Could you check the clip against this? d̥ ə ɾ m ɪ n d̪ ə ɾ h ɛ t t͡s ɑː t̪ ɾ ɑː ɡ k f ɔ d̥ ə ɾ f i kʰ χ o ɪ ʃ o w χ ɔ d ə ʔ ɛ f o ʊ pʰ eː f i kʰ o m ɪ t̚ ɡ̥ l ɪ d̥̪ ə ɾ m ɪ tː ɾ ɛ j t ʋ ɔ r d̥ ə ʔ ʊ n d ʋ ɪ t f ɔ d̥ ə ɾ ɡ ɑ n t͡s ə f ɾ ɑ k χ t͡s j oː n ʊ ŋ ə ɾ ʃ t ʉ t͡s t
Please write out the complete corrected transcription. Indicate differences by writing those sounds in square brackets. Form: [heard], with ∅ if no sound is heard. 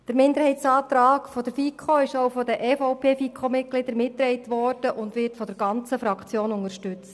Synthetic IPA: d̥ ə ɾ m ɪ n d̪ ə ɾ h ɛ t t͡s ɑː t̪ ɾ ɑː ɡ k f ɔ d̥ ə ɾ f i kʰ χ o ɪ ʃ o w [f] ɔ d ə ʔ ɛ f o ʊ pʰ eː f i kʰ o m ɪ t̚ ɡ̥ l ɪ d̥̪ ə ɾ m ɪ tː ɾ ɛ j t ʋ ɔ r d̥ ə ʔ ʊ n d ʋ ɪ t f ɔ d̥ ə ɾ ɡ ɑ n t͡s ə f ɾ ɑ k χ t͡s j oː n ʊ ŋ ə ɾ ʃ t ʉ t͡s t